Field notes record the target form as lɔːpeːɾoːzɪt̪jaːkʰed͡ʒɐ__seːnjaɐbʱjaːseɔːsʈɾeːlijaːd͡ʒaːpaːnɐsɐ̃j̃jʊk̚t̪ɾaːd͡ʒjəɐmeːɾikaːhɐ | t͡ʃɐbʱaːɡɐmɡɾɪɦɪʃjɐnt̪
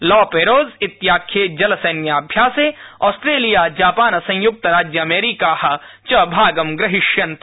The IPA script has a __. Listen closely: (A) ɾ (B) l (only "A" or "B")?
B